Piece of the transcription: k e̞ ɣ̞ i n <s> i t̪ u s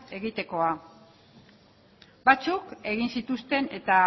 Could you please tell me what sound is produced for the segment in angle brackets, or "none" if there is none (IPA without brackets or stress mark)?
s